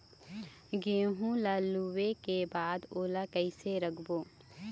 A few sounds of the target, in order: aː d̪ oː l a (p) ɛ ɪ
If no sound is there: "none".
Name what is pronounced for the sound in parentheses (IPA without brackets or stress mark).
k